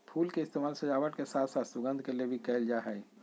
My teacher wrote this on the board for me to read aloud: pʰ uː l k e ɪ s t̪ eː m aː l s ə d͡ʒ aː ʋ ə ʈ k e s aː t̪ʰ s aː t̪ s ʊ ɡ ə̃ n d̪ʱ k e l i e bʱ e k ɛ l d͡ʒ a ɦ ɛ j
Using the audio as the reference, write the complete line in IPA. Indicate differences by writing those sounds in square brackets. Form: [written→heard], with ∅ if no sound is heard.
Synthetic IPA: pʰ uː l k e ɪ s t̪ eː m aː l s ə d͡ʒ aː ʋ ə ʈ k e s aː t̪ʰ s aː t̪ s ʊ ɡ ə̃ n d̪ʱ k e l i e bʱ [e→i] k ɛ l d͡ʒ a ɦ ɛ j